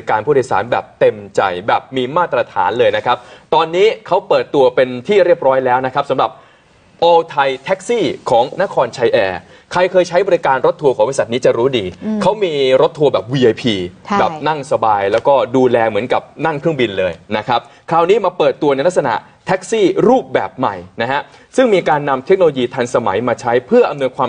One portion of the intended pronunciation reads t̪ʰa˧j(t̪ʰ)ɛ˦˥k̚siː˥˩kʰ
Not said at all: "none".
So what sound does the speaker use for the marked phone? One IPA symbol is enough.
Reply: t̪ʰ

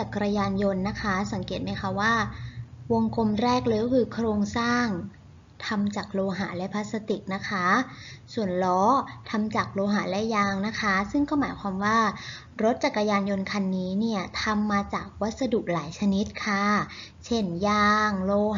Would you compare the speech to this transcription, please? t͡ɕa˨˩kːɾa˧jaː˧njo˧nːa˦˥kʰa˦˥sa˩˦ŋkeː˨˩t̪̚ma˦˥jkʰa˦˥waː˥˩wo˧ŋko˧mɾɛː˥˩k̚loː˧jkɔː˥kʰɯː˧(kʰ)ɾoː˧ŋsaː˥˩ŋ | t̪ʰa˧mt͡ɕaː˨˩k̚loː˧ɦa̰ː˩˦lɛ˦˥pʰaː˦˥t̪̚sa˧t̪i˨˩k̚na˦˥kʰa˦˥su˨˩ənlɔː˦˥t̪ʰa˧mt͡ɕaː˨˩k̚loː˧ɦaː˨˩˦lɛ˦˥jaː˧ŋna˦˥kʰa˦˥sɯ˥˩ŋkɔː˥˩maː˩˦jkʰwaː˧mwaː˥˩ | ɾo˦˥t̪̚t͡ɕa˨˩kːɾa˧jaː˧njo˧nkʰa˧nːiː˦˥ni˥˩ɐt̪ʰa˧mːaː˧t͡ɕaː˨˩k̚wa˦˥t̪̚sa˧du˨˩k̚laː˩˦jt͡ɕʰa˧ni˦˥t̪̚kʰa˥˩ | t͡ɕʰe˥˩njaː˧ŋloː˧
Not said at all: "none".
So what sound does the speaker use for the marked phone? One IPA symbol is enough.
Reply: kʰ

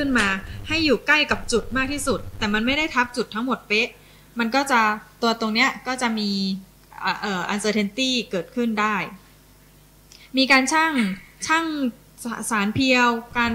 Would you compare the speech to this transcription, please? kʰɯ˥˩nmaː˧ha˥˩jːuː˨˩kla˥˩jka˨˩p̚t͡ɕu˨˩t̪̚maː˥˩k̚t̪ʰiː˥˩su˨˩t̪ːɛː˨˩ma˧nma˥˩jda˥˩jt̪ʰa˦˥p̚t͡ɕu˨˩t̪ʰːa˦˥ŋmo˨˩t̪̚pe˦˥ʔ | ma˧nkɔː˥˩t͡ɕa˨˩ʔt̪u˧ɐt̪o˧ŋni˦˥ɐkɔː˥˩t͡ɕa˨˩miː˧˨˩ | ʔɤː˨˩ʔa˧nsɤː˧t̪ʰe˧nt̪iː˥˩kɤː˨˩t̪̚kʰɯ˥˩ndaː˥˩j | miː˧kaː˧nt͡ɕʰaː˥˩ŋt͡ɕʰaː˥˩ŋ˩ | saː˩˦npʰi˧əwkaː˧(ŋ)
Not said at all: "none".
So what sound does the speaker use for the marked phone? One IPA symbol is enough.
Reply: n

